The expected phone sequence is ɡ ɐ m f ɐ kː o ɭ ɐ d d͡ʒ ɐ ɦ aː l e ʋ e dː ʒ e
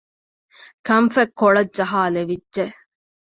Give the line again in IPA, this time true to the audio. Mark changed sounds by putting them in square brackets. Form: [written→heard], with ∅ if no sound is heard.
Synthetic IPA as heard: [ɡ→k] ɐ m f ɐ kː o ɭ ɐ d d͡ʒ ɐ ɦ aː l e ʋ [e→i] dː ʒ e